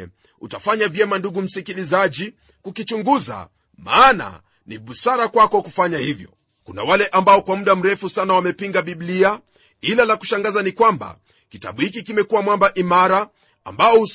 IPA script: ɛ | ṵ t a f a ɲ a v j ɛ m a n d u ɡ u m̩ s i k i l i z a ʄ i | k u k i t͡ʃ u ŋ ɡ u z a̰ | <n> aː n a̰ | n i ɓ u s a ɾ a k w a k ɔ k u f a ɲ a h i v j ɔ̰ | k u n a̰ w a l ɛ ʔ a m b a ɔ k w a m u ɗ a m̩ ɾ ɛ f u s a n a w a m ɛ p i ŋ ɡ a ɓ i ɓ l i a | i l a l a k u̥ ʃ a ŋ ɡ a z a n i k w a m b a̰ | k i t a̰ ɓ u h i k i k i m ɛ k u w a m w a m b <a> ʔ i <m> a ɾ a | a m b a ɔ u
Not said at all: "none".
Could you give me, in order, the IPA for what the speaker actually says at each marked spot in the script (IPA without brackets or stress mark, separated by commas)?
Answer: m, a, m